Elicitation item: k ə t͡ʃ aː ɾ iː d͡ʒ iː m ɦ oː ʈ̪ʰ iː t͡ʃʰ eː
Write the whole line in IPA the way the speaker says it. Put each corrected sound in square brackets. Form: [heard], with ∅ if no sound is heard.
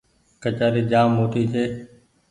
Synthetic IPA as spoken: k ə t͡ʃ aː ɾ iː d͡ʒ [aː] m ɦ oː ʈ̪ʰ iː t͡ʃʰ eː